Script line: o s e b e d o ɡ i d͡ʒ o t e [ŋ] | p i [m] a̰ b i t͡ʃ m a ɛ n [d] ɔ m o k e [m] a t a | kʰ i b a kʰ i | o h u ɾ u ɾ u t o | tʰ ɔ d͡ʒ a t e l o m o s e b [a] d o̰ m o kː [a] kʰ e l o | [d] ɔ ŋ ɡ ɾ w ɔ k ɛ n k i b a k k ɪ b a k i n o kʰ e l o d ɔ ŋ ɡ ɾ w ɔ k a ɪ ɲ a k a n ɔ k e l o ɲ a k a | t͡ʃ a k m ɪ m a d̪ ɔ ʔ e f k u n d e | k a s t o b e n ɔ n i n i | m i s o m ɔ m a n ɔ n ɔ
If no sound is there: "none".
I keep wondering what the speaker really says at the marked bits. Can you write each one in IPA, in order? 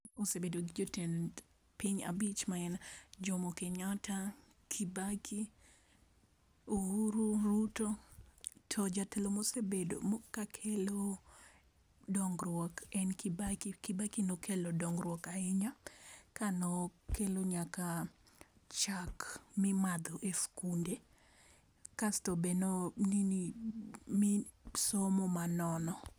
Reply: n, ɲ, d͡ʒ, ɲ, e, a, d

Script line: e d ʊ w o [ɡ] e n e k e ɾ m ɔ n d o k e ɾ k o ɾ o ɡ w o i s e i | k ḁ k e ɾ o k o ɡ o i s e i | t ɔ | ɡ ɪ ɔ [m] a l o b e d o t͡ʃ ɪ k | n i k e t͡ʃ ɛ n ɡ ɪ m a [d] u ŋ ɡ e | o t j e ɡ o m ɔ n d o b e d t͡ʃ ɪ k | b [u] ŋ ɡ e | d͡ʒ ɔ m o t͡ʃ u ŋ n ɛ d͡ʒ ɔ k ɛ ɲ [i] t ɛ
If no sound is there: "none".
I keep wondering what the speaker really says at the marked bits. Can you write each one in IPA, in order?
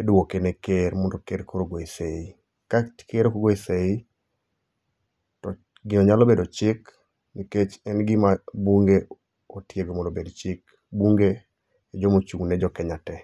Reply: k, ɲ, b, u, a

